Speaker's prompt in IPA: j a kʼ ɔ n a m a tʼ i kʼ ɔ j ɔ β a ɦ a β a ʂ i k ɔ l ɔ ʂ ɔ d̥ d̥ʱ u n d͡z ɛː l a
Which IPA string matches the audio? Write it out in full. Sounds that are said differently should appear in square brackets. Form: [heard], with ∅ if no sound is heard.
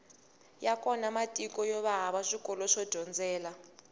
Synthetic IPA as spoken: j a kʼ ɔ n a m a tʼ i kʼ ɔ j ɔ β a ɦ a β a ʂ i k ɔ l ɔ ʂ ɔ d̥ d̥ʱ [ɔ] n d͡z ɛː l a